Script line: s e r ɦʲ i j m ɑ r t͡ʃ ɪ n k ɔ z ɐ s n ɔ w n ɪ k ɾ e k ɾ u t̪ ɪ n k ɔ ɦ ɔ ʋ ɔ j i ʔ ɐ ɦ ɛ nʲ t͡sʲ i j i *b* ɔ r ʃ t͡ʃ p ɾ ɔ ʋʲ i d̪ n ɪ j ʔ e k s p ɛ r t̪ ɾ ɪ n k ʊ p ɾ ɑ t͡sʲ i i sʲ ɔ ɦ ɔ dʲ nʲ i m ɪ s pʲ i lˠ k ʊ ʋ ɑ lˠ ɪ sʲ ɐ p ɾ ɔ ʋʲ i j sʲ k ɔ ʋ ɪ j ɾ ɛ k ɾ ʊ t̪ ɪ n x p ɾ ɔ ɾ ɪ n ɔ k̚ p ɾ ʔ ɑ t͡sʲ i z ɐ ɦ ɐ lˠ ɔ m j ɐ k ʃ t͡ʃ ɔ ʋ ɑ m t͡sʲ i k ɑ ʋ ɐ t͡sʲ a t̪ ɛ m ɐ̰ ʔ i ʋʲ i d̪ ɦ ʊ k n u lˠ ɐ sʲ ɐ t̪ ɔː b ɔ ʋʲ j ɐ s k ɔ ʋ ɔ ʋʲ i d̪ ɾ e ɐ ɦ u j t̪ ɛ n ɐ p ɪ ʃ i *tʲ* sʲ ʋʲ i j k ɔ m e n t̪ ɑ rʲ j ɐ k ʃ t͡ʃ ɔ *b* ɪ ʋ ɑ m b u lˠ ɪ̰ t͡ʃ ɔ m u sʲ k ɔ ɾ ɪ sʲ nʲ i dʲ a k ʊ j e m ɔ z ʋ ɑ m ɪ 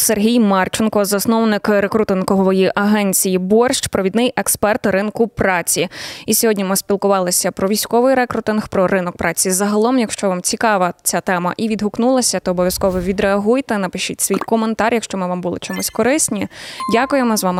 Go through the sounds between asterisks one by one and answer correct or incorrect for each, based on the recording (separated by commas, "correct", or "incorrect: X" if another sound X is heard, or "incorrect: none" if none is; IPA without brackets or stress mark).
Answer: correct, correct, incorrect: m